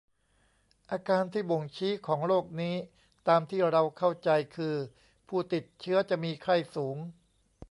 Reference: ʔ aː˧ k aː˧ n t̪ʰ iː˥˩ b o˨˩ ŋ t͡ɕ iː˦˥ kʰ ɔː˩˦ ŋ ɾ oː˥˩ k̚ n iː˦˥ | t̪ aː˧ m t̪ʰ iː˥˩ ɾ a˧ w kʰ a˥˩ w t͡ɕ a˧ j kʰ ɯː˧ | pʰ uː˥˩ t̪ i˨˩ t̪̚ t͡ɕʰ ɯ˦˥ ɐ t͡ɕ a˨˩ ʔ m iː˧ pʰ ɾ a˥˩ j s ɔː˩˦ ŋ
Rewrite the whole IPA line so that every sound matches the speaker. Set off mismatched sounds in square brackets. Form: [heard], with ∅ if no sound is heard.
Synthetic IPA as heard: ʔ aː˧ k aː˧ n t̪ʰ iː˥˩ b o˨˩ ŋ [t͡ɕʰ] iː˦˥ kʰ ɔː˩˦ ŋ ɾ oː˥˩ k̚ n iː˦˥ | t̪ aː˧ m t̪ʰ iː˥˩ ɾ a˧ w kʰ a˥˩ w t͡ɕ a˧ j kʰ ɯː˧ | pʰ uː˥˩ t̪ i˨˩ t̪̚ t͡ɕʰ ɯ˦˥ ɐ t͡ɕ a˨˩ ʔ m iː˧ [kʰ] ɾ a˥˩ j s [uː˩˦] ŋ